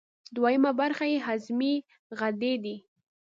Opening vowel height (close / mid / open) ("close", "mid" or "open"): open